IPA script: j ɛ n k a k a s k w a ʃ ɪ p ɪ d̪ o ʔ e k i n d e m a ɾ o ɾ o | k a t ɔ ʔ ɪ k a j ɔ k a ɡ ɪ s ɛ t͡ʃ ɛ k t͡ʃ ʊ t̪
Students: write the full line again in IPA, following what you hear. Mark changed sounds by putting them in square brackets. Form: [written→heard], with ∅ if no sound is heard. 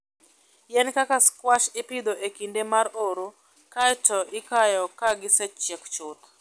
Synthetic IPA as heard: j ɛ n k a k a s k w a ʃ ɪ p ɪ d̪ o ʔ e k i n d e m a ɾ o ɾ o | k a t ɔ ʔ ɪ k a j ɔ k a ɡ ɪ s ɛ t͡ʃ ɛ k t͡ʃ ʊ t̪